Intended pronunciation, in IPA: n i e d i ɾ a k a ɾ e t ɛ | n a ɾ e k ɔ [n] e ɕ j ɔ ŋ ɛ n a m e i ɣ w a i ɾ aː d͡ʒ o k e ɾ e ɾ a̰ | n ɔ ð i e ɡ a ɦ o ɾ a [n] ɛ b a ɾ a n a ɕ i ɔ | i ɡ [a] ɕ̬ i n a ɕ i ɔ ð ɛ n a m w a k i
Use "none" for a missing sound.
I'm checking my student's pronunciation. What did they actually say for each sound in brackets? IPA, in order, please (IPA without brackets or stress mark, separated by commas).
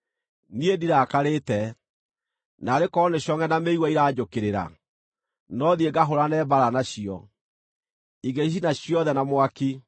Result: n, n, e